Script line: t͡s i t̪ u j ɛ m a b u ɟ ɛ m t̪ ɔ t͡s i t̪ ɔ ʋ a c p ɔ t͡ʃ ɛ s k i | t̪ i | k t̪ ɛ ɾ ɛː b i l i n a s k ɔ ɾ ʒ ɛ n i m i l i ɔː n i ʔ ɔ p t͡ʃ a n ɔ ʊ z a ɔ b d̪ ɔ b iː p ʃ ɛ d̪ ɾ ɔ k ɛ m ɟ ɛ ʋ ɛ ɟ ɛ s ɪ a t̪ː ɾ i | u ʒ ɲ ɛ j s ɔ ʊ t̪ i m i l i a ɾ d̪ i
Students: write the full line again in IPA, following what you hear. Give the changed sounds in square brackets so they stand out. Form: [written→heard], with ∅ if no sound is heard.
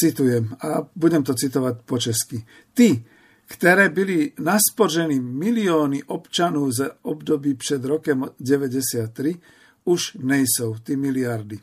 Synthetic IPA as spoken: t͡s i t̪ u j ɛ m a b u ɟ ɛ m t̪ ɔ t͡s i t̪ ɔ ʋ a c p ɔ t͡ʃ ɛ s k i | t̪ i | k t̪ ɛ ɾ ɛː b i l i n a s [k→p] ɔ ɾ ʒ ɛ n i m i l i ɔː n i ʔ ɔ p t͡ʃ a n ɔ ʊ z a ɔ b d̪ ɔ b iː p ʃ ɛ d̪ ɾ ɔ k ɛ m ɟ ɛ ʋ ɛ ɟ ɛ s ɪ a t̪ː ɾ i | u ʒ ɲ ɛ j s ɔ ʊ t̪ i m i l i a ɾ d̪ i